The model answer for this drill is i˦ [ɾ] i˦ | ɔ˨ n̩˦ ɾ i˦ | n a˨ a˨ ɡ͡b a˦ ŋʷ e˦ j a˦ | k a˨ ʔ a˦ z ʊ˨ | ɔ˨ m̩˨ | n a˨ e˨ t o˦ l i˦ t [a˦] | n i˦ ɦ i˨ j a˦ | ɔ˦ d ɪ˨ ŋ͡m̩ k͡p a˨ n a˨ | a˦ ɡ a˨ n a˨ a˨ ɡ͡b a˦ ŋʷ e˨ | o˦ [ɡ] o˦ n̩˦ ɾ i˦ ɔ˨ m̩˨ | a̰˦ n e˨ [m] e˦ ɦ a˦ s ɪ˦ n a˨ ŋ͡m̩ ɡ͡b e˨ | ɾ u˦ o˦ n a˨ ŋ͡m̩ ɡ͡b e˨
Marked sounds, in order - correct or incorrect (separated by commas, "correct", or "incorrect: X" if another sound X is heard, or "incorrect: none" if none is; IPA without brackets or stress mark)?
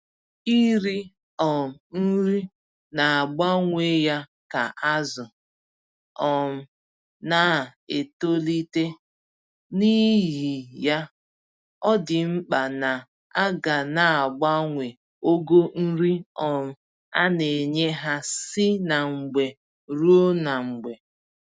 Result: correct, incorrect: e˦, correct, incorrect: ɲ